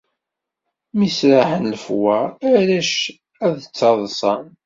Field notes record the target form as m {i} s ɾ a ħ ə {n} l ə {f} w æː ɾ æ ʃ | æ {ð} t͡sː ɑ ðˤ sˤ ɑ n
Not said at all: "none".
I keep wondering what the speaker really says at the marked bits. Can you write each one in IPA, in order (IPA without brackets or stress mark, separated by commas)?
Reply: i, n, f, ð